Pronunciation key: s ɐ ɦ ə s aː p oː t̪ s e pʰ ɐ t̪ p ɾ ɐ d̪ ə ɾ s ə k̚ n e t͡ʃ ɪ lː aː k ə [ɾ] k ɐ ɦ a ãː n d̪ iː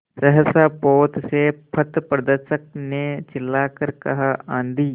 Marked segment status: correct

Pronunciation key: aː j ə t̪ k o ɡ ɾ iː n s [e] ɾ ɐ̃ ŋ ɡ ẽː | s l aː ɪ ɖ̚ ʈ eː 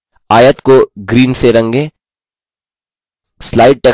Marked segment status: correct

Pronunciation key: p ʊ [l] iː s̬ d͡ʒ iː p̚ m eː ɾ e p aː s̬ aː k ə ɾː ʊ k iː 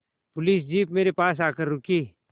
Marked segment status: correct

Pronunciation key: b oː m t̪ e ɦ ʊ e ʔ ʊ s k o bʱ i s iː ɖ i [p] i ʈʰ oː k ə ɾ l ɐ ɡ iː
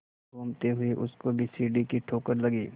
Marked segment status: incorrect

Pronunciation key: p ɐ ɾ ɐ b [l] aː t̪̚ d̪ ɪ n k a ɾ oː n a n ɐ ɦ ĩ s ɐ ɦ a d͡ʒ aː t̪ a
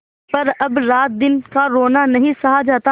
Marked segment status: incorrect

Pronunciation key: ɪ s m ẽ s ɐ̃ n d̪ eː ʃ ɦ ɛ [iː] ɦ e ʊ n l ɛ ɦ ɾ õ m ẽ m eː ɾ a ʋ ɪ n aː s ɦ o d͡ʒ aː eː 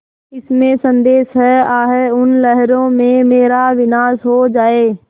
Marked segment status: incorrect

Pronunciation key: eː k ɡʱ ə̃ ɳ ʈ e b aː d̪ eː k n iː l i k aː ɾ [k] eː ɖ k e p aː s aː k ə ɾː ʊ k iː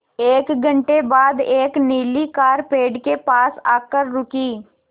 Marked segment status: incorrect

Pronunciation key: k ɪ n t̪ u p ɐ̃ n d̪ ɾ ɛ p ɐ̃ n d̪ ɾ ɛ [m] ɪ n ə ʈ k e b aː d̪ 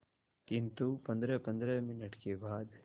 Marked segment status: correct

